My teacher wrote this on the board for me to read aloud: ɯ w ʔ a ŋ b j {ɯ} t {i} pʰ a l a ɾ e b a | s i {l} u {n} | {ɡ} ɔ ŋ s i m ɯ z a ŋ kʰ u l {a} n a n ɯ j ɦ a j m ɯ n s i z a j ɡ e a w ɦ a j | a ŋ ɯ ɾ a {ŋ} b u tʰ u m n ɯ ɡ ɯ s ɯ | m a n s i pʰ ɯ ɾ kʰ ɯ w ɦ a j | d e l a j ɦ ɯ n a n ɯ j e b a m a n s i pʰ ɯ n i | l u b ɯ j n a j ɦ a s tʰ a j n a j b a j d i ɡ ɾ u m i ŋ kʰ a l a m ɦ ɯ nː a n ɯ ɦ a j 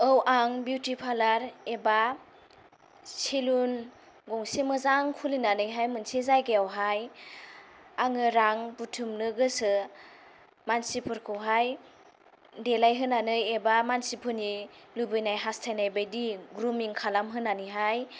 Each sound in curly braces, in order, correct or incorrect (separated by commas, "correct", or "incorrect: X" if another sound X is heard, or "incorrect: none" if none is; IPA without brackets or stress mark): incorrect: u, correct, correct, correct, correct, incorrect: i, correct